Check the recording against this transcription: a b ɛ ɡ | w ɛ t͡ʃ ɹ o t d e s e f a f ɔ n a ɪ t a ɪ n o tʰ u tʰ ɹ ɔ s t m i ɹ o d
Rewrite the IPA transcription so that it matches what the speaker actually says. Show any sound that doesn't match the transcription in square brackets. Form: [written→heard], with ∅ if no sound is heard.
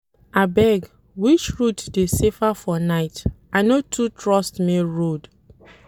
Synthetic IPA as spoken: a b ɛ ɡ | w [ɛ→i] t͡ʃ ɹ [o→u] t d e s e f a f ɔ n a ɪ t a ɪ n o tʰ u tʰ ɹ ɔ s t m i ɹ o d